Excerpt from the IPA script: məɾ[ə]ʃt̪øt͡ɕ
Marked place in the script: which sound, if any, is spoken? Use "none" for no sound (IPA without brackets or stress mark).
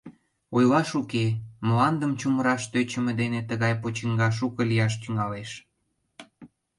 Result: ɑ